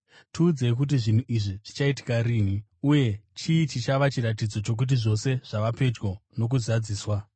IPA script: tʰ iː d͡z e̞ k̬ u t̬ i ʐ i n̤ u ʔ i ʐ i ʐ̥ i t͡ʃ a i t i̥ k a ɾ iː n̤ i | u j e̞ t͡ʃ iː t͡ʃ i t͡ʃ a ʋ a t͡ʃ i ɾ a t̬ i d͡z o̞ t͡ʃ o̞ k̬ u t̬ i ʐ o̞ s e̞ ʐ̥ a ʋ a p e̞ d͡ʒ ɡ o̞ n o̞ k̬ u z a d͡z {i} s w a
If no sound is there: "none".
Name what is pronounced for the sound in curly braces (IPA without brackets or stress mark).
iː